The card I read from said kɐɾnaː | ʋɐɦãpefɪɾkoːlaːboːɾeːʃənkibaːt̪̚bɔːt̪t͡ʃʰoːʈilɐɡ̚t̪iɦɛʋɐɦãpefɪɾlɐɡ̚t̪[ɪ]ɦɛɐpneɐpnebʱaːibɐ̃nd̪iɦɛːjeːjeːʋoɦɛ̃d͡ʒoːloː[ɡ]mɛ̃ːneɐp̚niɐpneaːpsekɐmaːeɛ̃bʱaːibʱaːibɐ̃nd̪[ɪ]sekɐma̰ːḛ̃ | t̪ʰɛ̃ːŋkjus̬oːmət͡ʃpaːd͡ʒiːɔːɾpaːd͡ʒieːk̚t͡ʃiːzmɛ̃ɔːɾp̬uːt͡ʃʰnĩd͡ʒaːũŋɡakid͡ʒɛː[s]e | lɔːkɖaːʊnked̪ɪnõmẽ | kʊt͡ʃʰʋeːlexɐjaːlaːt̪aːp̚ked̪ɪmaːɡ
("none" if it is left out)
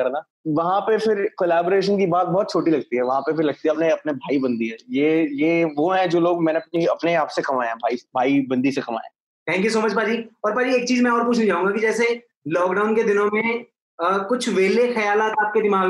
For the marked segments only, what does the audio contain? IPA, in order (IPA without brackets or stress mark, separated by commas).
i, ɡ, i, s